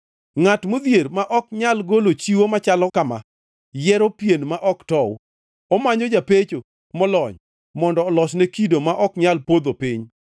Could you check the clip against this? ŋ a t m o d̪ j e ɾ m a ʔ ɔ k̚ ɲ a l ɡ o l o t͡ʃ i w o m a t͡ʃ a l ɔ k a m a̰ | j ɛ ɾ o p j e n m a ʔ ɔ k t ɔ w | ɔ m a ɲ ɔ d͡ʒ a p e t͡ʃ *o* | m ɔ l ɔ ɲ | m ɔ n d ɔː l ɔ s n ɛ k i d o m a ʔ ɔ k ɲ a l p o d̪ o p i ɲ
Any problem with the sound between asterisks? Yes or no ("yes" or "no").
no